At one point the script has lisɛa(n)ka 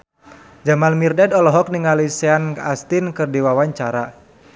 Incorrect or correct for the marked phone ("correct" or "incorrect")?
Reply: correct